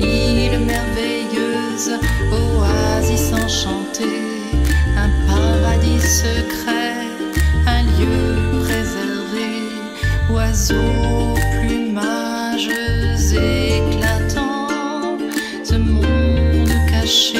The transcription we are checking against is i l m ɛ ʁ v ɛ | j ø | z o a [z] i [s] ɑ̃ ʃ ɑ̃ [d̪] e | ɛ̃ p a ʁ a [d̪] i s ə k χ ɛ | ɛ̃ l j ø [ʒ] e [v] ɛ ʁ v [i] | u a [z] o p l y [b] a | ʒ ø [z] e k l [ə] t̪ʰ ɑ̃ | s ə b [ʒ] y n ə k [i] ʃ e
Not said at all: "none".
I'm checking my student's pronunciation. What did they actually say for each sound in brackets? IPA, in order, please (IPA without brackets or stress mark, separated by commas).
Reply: z, s, t̪, d̪, ʁ, z, e, z, m, z, a, ʁ, a